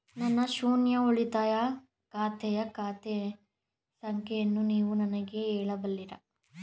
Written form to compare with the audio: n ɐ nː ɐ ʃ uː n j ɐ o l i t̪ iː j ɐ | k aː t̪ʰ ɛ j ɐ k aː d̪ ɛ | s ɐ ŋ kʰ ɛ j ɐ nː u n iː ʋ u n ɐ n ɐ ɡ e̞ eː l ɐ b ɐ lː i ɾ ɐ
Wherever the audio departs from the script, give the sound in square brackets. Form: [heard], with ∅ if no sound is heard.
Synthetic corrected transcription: n ɐ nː ɐ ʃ uː n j ɐ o [ɭ] i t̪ [aː] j ɐ | k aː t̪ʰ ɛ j ɐ k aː [t̪] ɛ | s ɐ ŋ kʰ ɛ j ɐ nː u n iː ʋ u n ɐ n ɐ ɡ e̞ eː [ɭ] ɐ b ɐ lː i ɾ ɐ

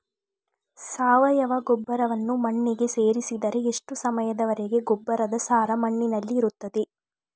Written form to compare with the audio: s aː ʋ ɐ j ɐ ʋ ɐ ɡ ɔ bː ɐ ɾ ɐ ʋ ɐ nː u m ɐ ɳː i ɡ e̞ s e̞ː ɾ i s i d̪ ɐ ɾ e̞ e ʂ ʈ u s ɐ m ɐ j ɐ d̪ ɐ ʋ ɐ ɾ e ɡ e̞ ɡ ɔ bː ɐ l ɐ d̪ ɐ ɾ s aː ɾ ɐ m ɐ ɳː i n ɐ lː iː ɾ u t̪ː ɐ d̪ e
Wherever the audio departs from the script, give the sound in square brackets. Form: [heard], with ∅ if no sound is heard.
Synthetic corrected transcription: s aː ʋ ɐ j ɐ ʋ ɐ ɡ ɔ bː ɐ ɾ ɐ ʋ ɐ nː u m ɐ ɳː i ɡ e̞ s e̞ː ɾ i s i d̪ ɐ ɾ e̞ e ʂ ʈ u s ɐ m ɐ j ɐ d̪ ɐ ʋ ɐ ɾ e ɡ e̞ ɡ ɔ bː ɐ [ɾ] ɐ d̪ ɐ [∅] s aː ɾ ɐ m ɐ ɳː i n ɐ lː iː ɾ u t̪ː ɐ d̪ e

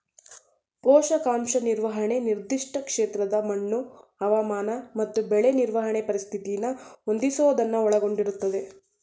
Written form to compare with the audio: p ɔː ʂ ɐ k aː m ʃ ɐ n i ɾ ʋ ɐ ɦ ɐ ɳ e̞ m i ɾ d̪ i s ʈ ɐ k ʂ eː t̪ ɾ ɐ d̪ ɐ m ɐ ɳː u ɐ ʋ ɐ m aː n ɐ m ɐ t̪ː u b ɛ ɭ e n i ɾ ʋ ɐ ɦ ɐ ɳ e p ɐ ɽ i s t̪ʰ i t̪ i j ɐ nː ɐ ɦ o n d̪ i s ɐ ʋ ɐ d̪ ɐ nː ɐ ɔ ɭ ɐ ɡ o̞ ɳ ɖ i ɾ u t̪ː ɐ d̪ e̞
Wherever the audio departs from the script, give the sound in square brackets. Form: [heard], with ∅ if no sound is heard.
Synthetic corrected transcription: p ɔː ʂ ɐ k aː m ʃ ɐ n i ɾ ʋ ɐ ɦ ɐ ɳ e̞ [n] i ɾ d̪ i [ʂ] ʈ ɐ k ʂ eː t̪ ɾ ɐ d̪ ɐ m ɐ ɳː u ɐ ʋ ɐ m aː n ɐ m ɐ t̪ː u b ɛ ɭ e n i ɾ ʋ ɐ ɦ ɐ ɳ e p ɐ [ɾ] i s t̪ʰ i t̪ i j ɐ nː ɐ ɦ o n d̪ i s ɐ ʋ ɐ d̪ ɐ nː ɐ ɔ ɭ ɐ ɡ o̞ ɳ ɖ i ɾ u t̪ː ɐ d̪ e̞

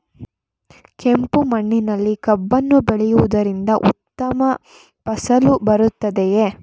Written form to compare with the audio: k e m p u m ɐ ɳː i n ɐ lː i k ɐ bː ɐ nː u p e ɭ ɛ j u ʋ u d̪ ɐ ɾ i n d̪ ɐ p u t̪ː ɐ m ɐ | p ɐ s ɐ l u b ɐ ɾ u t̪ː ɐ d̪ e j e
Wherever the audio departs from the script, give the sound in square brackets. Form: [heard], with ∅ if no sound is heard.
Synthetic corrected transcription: k e m p u m ɐ ɳː i n ɐ lː i k ɐ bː ɐ nː u [b] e ɭ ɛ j u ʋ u d̪ ɐ ɾ i n d̪ ɐ [ʔ] u t̪ː ɐ m ɐ | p ɐ s ɐ l u b ɐ ɾ u t̪ː ɐ d̪ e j e

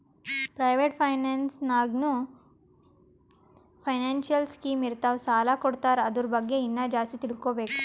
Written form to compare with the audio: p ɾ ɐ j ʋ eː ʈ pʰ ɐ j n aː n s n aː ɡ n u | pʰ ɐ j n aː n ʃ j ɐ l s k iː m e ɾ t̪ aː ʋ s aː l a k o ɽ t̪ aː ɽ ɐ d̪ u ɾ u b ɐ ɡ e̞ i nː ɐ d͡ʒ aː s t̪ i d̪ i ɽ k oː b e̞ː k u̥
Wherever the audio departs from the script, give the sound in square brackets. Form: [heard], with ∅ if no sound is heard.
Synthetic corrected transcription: p ɾ ɐ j ʋ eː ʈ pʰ ɐ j n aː n s n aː ɡ n u | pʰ ɐ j n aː n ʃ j ɐ l s k iː m [i] ɾ t̪ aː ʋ s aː l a k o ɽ t̪ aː [ɾ] ɐ d̪ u ɾ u b ɐ [ɡː] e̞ i nː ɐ d͡ʒ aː s t̪ i [t̪] i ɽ k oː b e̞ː k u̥

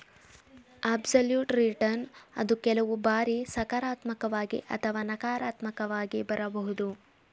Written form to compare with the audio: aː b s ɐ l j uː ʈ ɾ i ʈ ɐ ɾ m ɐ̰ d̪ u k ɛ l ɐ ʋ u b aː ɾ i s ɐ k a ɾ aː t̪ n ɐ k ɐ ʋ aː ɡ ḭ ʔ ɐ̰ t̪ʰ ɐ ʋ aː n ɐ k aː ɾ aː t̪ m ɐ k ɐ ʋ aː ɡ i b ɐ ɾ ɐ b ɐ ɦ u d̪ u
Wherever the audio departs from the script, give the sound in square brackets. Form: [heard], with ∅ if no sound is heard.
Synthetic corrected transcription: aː b s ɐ l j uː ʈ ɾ i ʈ ɐ ɾ [n] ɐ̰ d̪ u k ɛ l ɐ ʋ u b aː ɾ i s ɐ k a ɾ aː t̪ [m] ɐ k ɐ ʋ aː ɡ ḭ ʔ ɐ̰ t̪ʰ ɐ ʋ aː n ɐ k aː ɾ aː t̪ m ɐ k ɐ ʋ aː ɡ i b ɐ ɾ ɐ b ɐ ɦ u d̪ u

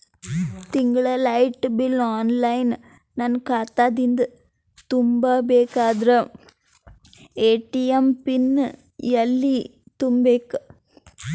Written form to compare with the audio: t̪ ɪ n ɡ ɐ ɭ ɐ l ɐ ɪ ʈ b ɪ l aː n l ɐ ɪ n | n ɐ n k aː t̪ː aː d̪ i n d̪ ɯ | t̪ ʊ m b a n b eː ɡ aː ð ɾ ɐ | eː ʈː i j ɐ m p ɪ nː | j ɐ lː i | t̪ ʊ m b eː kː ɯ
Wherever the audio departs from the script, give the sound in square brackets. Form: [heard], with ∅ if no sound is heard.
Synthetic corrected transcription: t̪ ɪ [ŋ] ɡ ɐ ɭ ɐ l ɐ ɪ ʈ b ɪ l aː n l ɐ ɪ n | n ɐ n k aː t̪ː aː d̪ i n d̪ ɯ | t̪ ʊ m b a [∅] b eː [k] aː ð ɾ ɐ | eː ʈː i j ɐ m p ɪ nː | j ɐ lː i | t̪ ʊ m b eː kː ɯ

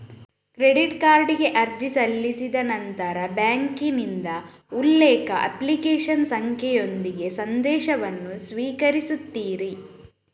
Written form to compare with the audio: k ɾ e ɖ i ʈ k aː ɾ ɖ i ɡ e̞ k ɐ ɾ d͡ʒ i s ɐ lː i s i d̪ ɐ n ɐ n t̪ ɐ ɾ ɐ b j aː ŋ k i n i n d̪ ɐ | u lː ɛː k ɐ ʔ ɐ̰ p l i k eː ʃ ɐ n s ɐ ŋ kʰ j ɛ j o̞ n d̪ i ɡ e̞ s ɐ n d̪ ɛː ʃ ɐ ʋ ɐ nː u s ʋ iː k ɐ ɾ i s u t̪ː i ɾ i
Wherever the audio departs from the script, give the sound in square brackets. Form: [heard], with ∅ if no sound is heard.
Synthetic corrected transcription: k ɾ e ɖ i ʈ k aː ɾ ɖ i ɡ e̞ [ʔ] ɐ ɾ d͡ʒ i s ɐ lː i s i d̪ ɐ n ɐ n t̪ ɐ ɾ ɐ b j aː ŋ k i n i n d̪ ɐ | u lː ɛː k ɐ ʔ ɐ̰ p l i k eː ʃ ɐ n s ɐ ŋ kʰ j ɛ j o̞ n d̪ i ɡ e̞ s ɐ n d̪ ɛː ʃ ɐ ʋ ɐ nː u s ʋ iː k ɐ ɾ i s u t̪ː [iː] ɾ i

